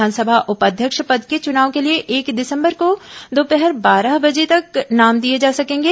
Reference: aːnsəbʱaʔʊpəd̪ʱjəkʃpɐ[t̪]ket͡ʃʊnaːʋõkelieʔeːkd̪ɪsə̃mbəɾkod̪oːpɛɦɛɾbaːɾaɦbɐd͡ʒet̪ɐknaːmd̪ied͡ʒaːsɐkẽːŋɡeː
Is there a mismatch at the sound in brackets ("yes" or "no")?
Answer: yes